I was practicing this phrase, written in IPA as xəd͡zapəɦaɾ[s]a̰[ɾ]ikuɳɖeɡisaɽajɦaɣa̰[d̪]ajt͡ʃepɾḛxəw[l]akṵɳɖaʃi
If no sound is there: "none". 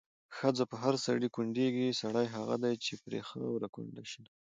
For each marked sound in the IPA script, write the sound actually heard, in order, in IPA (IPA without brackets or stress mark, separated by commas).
s, ɽ, d̪, ɾ